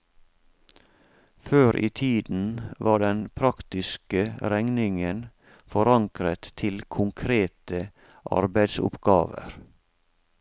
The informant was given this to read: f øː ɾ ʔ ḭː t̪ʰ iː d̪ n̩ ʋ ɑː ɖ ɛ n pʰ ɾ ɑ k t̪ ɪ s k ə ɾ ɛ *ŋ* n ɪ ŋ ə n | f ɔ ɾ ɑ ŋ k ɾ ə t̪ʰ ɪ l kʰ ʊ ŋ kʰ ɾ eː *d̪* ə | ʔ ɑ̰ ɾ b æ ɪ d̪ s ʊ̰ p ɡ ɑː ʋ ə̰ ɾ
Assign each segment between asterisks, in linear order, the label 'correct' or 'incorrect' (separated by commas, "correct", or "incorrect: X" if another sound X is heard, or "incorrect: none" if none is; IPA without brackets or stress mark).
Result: correct, incorrect: t̪